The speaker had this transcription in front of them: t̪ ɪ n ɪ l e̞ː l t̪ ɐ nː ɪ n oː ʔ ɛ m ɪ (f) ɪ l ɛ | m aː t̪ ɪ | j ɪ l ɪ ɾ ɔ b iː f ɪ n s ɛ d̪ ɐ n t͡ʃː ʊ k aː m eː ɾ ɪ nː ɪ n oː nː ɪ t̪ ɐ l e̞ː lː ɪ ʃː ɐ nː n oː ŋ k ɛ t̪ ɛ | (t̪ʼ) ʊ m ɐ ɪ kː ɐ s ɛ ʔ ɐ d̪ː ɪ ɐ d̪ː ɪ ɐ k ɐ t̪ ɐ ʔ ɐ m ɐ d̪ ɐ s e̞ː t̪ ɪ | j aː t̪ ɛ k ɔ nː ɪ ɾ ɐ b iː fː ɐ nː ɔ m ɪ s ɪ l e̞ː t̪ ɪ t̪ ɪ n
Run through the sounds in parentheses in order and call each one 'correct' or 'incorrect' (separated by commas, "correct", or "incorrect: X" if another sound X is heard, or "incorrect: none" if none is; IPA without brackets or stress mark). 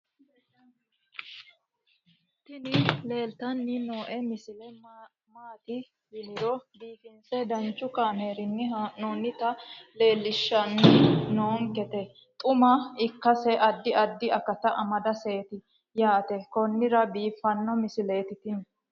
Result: incorrect: s, correct